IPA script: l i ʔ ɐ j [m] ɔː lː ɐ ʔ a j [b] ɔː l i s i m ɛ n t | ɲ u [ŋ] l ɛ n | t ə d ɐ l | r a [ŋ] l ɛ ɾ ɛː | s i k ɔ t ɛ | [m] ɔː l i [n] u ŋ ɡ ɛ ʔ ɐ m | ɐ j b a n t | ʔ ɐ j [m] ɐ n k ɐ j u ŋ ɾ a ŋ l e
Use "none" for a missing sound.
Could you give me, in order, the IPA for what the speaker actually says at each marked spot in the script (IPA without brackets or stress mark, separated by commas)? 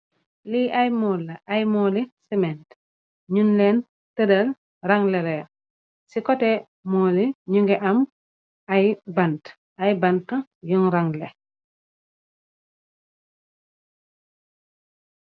m, m, n, ŋ, m, ɲ, b